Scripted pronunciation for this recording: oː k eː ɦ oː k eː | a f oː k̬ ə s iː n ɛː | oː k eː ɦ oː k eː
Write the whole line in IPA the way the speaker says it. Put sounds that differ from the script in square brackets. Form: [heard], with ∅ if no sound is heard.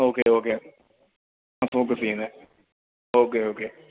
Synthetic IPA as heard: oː k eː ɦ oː k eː | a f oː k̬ ə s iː n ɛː | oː k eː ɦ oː k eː